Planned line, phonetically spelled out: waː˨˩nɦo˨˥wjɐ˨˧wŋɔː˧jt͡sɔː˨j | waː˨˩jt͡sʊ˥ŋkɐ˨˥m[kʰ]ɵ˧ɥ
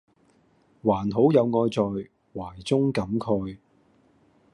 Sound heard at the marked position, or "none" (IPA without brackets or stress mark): kʰ